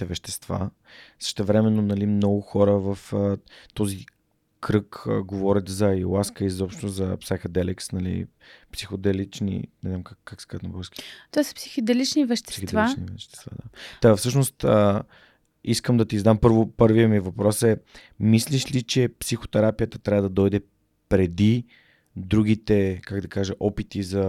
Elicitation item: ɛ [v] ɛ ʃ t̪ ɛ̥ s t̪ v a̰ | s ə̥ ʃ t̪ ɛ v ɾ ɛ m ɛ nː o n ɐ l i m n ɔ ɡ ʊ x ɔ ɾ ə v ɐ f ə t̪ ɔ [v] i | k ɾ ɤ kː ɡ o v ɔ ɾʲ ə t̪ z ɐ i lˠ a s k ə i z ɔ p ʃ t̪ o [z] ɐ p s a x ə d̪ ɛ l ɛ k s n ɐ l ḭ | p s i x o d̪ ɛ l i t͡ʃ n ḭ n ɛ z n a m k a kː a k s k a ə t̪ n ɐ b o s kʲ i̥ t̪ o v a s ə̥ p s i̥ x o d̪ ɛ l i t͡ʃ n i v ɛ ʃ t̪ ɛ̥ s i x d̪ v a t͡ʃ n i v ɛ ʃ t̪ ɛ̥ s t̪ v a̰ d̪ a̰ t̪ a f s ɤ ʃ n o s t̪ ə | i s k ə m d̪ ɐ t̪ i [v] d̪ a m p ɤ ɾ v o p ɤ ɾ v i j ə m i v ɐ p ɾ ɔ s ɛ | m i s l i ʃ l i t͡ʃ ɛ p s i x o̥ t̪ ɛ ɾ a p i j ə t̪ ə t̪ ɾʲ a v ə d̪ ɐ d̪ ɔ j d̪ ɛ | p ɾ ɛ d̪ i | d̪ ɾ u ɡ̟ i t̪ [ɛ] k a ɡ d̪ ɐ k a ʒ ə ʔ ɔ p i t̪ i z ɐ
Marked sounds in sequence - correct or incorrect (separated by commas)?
correct, incorrect, correct, incorrect, correct